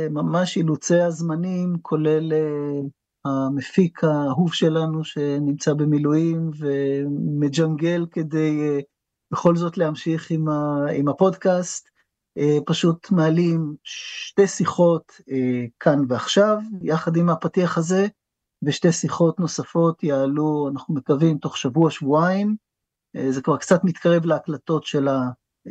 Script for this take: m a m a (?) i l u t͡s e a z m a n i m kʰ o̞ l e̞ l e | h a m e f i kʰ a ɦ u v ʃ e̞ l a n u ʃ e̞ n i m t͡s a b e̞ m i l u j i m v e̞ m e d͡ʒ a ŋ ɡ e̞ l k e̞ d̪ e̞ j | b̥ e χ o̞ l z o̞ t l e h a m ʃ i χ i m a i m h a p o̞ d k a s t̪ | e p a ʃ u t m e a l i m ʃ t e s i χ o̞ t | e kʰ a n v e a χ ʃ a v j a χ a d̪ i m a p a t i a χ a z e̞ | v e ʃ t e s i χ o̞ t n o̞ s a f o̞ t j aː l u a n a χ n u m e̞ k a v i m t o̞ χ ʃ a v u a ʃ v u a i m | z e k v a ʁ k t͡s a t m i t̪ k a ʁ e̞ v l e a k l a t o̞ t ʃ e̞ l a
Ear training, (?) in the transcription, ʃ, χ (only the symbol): ʃ